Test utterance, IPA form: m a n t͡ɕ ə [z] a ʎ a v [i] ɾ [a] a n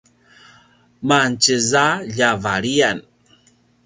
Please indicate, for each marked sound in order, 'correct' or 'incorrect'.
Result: correct, incorrect, incorrect

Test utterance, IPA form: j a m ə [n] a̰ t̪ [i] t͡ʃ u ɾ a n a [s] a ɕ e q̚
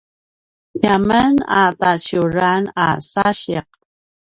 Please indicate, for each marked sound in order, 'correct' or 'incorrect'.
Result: correct, incorrect, correct

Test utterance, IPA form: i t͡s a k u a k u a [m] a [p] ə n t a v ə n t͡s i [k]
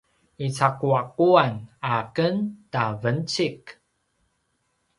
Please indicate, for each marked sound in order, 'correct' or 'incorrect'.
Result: incorrect, incorrect, correct

